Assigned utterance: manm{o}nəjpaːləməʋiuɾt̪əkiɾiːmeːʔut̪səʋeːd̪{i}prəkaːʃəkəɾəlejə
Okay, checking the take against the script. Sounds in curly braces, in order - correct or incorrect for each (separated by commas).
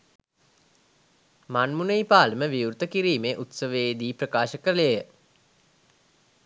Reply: incorrect, incorrect